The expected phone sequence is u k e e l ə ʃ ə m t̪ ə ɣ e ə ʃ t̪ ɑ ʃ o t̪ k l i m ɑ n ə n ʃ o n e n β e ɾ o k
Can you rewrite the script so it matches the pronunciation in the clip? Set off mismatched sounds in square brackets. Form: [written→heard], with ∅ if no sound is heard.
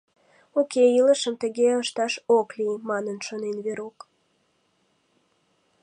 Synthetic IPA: [u→o] k e [e→i] l ə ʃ ə m t̪ ə ɣ e ə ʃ t̪ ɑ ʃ o [t̪→∅] k l i m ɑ n ə n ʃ o n e n β e ɾ o k